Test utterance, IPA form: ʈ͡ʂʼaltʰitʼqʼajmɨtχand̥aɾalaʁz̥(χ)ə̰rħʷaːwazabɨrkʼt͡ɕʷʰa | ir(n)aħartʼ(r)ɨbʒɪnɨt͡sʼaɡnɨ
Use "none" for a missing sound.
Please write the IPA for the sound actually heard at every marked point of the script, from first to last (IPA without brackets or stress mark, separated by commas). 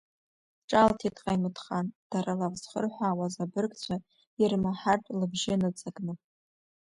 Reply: χ, m, l